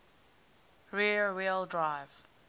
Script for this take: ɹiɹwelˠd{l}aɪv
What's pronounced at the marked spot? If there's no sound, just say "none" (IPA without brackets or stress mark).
ɹ